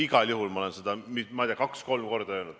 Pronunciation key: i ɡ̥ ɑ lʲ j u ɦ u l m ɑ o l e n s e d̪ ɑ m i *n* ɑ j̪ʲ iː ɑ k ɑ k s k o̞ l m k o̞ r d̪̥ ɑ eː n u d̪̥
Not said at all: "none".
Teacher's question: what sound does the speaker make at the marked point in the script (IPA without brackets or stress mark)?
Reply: m